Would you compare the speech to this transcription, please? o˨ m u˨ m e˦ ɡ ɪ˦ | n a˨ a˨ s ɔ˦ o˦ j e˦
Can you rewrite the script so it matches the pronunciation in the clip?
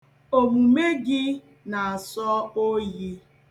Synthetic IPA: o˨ m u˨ m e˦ ɡ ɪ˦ | n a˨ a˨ s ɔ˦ o˦ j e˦